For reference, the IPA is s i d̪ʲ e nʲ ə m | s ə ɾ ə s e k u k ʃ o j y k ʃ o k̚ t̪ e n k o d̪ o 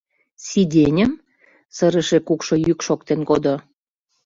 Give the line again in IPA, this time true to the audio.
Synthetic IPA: s i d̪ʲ e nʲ ə m | s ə ɾ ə ʃ e k u k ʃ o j y k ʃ o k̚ t̪ e n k o d̪ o